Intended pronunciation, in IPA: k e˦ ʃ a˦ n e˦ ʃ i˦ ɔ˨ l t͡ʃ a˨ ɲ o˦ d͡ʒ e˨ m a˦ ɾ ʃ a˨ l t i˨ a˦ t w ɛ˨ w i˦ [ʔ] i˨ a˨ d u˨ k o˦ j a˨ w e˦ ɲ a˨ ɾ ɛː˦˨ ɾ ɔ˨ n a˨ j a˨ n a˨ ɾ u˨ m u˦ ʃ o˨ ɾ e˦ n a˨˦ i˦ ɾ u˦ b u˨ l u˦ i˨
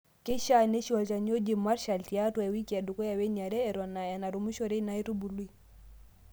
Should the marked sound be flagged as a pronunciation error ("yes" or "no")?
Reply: yes